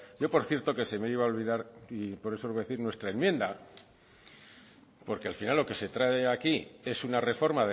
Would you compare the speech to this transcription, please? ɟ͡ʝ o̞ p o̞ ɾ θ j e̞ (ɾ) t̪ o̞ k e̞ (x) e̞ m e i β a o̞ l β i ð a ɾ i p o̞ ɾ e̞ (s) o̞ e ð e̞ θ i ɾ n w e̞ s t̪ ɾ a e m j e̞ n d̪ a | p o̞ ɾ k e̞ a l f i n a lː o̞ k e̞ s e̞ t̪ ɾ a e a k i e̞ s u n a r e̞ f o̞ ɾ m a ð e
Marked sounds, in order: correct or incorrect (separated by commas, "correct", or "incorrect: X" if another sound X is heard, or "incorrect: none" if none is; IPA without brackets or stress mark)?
correct, incorrect: s, correct